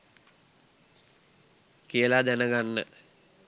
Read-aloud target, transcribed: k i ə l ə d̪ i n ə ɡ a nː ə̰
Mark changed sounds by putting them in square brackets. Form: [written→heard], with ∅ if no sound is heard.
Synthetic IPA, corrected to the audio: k i ə l [ə→a] d̪ [i→æ] n ə ɡ a nː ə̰